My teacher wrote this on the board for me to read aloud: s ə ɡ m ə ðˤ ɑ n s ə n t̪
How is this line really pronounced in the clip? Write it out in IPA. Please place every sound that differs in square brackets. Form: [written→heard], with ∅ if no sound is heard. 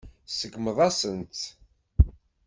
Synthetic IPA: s ə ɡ m ə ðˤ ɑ [n→∅] s ə n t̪